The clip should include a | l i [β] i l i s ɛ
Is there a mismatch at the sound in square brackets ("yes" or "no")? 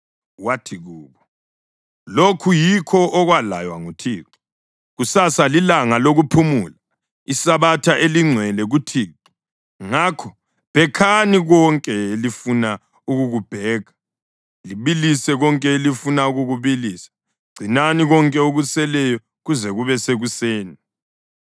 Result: no